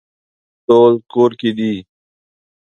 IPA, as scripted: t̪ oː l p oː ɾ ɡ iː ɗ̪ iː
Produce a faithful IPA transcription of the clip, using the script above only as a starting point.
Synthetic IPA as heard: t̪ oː l k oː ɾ k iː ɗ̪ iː

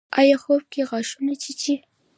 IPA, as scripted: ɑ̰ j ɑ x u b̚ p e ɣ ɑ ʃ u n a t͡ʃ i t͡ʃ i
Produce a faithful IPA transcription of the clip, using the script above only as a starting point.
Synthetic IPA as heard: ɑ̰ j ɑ x o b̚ k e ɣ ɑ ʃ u n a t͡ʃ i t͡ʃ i

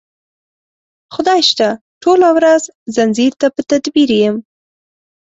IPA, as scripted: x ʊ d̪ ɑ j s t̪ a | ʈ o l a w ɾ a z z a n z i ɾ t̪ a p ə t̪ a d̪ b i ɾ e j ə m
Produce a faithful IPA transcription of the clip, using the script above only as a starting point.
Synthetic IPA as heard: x ʊ d̪ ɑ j ʃ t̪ a | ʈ o l a w ɾ a z z a n z i ɾ t̪ a p ə t̪ a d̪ b i ɾ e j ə m

